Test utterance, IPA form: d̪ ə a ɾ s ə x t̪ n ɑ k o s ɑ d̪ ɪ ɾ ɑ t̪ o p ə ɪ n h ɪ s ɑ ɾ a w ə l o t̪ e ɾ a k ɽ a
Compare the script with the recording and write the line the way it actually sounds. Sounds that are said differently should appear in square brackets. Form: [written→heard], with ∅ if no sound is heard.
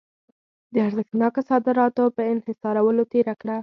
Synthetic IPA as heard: d̪ ə a ɾ [s→z] ə x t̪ n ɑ k o s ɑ d̪ ɪ ɾ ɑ t̪ o p ə ɪ n h ɪ s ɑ ɾ a w ə l o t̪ e ɾ a k ɽ a